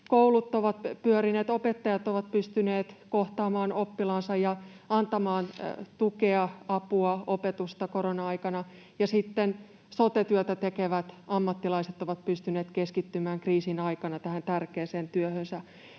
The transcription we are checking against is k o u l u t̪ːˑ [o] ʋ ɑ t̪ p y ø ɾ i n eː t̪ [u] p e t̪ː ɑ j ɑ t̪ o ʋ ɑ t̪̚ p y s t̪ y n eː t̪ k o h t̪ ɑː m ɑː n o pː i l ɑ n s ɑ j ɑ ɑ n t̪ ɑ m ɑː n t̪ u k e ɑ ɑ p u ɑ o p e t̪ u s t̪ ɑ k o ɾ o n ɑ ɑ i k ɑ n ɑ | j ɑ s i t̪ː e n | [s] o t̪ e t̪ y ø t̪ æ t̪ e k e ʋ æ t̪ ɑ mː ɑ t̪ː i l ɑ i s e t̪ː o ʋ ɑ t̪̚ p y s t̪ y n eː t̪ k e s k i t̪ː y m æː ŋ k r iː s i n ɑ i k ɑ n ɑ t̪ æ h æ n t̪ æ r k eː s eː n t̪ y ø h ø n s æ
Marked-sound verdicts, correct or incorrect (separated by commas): correct, incorrect, correct